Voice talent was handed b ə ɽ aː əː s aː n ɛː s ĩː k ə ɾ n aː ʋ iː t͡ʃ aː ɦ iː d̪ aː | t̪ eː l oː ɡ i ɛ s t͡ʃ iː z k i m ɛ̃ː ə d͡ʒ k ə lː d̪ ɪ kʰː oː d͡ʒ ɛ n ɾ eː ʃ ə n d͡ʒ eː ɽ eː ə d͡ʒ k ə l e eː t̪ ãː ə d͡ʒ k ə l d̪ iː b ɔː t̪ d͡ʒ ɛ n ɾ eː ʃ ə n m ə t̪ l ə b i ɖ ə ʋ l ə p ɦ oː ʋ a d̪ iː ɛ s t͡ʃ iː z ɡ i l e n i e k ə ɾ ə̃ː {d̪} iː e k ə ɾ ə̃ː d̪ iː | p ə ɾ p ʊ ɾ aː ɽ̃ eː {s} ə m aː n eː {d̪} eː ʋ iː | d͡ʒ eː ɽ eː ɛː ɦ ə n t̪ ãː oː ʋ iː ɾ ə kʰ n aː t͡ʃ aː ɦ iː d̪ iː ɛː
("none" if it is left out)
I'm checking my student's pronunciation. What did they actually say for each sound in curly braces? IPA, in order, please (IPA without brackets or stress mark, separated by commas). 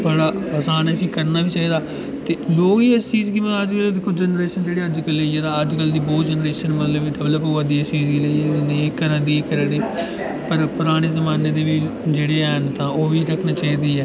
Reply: d̪, z, d̪